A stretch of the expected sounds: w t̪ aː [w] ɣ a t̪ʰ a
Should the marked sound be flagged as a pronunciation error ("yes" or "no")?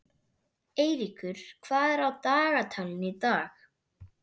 yes